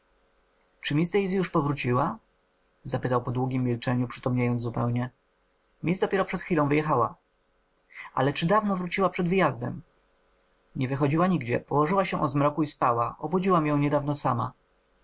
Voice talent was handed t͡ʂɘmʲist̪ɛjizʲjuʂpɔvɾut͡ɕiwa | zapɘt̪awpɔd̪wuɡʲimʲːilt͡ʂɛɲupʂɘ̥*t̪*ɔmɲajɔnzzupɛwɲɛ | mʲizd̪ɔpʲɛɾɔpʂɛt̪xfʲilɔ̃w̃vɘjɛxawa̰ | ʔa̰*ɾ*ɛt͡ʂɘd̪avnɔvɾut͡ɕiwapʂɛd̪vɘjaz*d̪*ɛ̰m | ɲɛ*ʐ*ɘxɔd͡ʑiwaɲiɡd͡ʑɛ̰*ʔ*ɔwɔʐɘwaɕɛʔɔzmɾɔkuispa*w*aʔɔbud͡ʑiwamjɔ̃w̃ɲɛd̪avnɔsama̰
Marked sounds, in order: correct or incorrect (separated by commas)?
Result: correct, incorrect, correct, incorrect, incorrect, correct